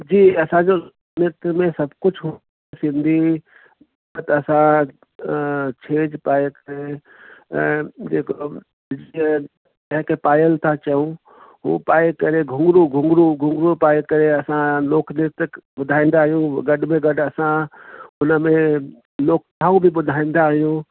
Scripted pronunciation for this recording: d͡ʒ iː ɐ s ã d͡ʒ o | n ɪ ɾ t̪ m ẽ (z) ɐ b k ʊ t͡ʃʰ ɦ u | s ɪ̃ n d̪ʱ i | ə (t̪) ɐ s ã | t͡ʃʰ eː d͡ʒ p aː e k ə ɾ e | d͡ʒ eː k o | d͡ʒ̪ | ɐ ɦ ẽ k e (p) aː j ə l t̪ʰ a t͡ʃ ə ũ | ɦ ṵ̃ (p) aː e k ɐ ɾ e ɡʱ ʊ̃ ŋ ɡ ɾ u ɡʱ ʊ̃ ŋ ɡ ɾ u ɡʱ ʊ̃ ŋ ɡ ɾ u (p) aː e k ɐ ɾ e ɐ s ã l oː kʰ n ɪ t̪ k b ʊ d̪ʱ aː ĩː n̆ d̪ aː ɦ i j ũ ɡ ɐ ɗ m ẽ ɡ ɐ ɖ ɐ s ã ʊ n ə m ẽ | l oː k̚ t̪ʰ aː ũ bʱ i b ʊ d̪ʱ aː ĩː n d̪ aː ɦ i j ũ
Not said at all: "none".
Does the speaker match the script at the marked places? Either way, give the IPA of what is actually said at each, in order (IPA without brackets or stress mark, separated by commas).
s, t̪, p, p, p